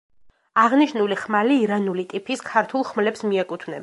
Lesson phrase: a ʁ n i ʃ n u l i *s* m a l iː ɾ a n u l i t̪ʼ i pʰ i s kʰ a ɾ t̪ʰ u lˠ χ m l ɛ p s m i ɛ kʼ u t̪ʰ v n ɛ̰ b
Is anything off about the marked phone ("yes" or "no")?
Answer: yes